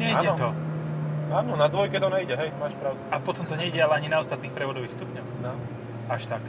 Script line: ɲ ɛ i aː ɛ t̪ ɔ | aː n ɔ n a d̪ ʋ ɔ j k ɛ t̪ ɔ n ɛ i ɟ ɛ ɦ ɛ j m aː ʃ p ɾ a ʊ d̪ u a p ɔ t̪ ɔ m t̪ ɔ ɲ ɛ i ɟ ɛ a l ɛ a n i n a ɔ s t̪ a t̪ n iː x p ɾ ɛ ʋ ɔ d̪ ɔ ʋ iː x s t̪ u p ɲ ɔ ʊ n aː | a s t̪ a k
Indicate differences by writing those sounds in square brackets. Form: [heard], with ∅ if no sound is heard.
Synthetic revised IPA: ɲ ɛ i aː ɛ t̪ ɔ | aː n ɔ n a d̪ ʋ ɔ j k ɛ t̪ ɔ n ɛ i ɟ ɛ ɦ ɛ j m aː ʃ p ɾ a ʊ d̪ u a p ɔ t̪ ɔ m t̪ ɔ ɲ ɛ i ɟ ɛ a l ɛ a [ɲ] i n a ɔ s t̪ a t̪ n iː x p ɾ ɛ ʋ ɔ d̪ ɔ ʋ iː x s t̪ u p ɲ ɔ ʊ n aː | a [ʃ] t̪ a k